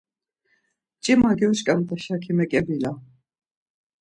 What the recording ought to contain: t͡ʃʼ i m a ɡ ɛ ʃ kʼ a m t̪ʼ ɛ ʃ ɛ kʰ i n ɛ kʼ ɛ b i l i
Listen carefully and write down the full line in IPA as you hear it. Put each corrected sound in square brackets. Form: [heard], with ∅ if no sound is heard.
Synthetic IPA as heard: t͡ʃʼ i m a ɡ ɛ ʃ kʼ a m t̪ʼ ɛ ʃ [a] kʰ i [m] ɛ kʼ ɛ b i l [a]